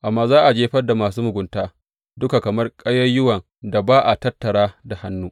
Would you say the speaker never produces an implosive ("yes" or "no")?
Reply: yes